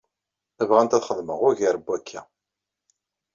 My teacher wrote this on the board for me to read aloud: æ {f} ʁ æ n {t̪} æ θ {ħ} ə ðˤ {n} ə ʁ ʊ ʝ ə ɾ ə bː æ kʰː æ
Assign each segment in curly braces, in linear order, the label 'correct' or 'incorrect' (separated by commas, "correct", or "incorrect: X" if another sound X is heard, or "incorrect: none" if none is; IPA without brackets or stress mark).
incorrect: v, correct, incorrect: χ, incorrect: m